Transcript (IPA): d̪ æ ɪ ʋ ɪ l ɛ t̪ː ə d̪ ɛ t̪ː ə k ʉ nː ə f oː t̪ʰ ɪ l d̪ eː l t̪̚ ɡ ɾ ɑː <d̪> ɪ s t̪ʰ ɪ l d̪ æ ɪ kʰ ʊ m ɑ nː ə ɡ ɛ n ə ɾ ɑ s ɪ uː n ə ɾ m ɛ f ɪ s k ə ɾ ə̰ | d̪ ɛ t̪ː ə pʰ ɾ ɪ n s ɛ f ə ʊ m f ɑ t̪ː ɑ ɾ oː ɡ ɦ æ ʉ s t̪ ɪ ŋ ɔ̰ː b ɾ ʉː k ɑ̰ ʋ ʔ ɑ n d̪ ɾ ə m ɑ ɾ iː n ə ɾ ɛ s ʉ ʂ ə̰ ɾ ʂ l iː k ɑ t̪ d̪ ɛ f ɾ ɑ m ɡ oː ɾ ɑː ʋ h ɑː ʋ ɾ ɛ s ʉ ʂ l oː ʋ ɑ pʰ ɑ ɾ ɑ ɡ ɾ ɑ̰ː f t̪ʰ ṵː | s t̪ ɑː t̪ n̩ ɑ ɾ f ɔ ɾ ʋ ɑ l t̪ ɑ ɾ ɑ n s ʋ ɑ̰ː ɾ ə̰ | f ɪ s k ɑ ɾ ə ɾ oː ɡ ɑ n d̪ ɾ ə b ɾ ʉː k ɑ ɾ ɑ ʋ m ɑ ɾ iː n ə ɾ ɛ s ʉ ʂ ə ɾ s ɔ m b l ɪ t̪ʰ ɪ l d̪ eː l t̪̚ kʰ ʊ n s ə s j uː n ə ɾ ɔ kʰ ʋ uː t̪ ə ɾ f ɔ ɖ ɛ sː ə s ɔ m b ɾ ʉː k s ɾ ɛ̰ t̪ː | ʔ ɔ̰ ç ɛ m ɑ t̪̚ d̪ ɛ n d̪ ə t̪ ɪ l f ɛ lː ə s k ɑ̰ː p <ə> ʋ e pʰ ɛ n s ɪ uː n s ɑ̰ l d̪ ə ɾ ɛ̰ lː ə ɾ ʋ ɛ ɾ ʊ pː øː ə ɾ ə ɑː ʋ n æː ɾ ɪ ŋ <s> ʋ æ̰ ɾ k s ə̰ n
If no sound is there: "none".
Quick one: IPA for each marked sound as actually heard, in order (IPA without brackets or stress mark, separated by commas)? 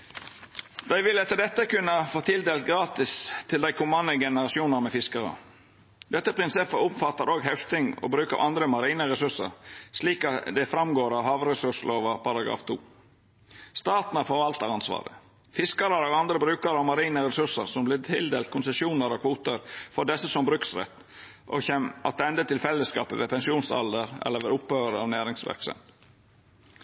t̪, ə, s